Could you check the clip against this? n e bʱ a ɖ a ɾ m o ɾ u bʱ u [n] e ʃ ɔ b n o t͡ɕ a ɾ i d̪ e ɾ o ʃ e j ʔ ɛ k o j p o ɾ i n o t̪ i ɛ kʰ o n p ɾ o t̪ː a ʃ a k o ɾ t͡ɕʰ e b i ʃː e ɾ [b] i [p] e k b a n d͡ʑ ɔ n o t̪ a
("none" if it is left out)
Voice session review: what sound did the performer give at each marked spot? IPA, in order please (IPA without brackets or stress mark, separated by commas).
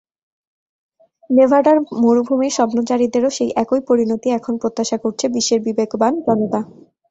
m, b, b